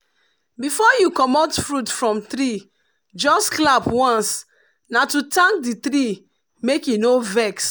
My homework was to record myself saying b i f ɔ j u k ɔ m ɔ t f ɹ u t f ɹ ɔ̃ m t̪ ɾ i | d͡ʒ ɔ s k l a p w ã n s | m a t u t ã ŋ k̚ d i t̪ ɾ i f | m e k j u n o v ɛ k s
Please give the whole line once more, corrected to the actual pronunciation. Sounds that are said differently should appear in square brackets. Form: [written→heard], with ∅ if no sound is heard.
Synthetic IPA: b i f ɔ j u k ɔ m ɔ t f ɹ u t f ɹ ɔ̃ m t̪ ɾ i | d͡ʒ ɔ s k l a p w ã n s | [m→n] a t u t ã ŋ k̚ d i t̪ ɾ i [f→∅] | m e k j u n o v ɛ k s